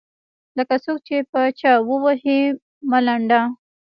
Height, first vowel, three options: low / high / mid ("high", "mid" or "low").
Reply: mid